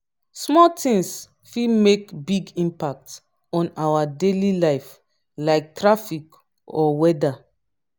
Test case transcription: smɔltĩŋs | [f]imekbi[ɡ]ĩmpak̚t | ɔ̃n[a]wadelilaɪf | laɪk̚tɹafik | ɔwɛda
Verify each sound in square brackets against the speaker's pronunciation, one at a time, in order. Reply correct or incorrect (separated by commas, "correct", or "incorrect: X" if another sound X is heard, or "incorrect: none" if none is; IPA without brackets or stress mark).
correct, correct, correct